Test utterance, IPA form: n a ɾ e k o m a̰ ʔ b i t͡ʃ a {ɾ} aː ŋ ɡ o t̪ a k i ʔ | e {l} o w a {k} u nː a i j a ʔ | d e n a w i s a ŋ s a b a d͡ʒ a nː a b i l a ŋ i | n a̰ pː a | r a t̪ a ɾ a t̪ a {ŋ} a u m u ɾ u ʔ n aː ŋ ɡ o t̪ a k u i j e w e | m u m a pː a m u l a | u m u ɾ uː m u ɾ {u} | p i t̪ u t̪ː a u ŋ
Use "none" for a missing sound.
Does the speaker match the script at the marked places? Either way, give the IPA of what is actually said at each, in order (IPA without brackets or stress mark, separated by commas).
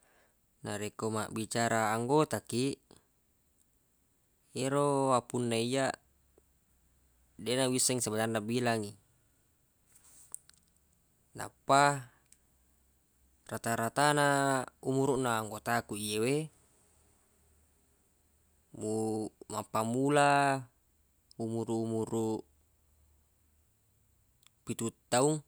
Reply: ɾ, ɾ, p, n, u